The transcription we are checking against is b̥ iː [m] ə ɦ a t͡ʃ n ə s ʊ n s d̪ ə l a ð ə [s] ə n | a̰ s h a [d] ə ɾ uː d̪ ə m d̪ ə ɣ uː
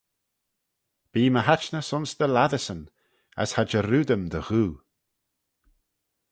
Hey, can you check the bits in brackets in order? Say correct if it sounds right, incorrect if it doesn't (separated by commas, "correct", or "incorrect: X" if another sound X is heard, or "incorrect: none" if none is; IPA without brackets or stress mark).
correct, correct, incorrect: d͡ʒ